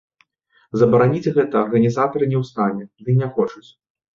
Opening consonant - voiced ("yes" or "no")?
yes